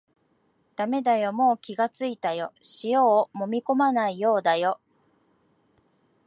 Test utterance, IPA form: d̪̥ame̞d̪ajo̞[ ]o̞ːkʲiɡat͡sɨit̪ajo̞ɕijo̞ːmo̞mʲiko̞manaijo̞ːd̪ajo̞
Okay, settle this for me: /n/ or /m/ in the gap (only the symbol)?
m